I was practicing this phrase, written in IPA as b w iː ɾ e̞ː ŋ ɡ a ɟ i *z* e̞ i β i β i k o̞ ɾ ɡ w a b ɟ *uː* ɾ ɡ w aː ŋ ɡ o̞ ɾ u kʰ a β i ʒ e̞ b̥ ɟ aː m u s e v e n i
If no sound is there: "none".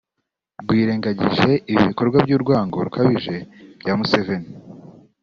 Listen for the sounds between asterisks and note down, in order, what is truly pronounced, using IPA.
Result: ʒ, uː

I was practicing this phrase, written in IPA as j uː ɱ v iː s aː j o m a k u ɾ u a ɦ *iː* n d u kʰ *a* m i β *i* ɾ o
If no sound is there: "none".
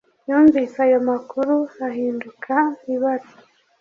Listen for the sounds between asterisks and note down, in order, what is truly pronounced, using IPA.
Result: iː, a, a

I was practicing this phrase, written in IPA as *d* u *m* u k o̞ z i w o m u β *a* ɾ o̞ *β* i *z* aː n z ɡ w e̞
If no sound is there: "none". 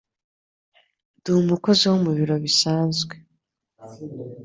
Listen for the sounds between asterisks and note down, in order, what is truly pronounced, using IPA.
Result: d, m, i, β, s

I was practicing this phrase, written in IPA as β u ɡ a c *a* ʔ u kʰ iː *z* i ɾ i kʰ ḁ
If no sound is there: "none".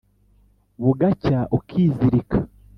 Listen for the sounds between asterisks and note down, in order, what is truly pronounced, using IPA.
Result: a, z

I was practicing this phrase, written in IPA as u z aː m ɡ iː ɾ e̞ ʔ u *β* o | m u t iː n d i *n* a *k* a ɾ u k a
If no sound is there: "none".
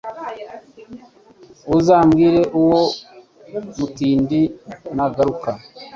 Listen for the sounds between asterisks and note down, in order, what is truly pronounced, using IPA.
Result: w, n, ɡ

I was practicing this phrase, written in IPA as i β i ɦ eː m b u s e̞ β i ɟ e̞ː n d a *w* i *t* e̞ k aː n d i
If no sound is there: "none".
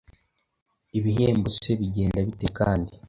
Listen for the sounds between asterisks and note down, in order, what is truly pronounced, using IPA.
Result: β, t

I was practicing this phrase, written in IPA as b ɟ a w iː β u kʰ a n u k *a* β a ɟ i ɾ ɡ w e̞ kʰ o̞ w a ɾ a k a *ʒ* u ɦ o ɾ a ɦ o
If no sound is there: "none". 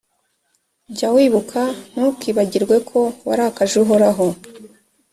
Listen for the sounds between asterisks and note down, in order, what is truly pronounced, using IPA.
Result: i, ʒ

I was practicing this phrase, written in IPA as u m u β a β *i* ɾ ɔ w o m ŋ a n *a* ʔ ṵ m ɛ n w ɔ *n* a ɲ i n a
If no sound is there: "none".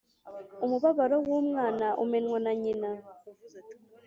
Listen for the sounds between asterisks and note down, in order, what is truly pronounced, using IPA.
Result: a, a, n

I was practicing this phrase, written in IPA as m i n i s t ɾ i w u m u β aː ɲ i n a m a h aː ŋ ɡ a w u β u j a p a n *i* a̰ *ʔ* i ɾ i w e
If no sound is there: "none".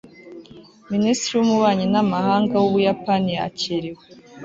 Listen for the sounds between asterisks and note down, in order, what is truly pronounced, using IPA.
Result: i, c

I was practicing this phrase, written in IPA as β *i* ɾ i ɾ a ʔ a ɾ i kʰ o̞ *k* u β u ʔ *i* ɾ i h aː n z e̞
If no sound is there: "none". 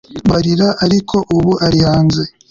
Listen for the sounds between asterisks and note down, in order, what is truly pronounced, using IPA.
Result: a, ʔ, a

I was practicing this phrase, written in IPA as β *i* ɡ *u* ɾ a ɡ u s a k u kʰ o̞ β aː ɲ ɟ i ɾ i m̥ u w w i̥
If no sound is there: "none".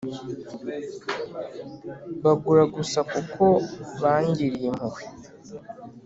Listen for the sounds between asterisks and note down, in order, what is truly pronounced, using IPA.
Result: a, u

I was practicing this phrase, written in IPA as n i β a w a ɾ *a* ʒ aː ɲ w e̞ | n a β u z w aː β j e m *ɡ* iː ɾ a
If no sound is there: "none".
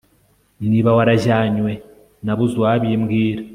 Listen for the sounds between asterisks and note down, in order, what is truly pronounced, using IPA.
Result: a, ɡ

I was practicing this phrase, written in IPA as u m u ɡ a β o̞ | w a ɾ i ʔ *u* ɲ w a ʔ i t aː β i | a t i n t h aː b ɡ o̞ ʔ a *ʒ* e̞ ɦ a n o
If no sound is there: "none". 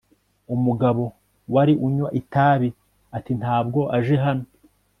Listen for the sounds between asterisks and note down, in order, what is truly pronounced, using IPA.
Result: u, ʒ

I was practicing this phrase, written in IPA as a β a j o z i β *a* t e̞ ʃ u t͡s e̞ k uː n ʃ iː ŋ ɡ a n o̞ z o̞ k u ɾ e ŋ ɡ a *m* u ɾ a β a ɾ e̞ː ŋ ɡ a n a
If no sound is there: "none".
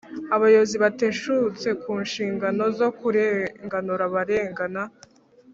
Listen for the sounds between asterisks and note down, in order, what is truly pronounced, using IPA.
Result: a, n

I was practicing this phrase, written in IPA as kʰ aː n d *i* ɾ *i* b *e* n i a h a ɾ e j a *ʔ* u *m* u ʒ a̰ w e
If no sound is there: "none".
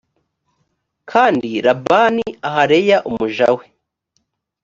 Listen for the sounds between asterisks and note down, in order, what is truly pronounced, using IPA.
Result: i, a, a, ʔ, m

